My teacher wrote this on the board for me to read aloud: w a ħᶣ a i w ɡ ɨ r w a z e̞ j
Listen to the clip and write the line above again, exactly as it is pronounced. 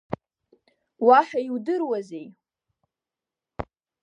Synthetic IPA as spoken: w a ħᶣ a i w d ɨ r w a z e̞ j